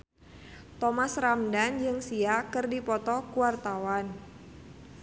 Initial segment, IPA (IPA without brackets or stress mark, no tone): t̪